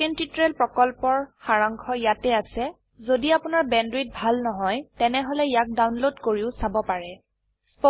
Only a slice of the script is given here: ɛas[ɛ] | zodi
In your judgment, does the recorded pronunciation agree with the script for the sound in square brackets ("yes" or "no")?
yes